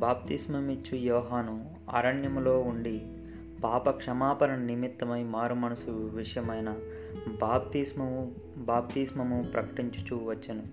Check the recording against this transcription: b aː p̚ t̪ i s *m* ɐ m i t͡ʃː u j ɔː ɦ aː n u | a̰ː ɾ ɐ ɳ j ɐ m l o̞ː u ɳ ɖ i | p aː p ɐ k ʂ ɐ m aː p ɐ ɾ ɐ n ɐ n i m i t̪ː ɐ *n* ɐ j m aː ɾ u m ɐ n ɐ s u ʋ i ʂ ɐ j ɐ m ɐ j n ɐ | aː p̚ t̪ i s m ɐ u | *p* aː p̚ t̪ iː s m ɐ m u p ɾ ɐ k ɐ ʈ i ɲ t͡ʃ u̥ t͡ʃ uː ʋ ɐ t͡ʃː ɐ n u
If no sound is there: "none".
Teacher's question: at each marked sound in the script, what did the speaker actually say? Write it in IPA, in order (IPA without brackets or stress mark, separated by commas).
m, m, b